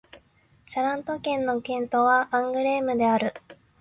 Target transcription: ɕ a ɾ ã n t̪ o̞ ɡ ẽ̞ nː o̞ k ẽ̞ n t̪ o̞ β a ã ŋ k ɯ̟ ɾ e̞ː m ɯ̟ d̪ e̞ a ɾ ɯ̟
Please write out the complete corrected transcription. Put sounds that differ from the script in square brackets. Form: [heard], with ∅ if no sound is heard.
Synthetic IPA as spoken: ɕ a ɾ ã n t̪ o̞ [k] ẽ̞ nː o̞ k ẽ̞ n t̪ o̞ β a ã ŋ [ɡ] ɯ̟ ɾ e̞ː m ɯ̟ d̪ e̞ a ɾ ɯ̟